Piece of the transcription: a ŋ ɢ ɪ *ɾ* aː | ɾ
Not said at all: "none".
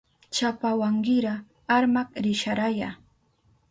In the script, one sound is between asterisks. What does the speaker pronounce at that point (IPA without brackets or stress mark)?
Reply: ɾ